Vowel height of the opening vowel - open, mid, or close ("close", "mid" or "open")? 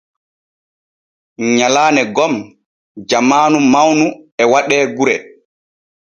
open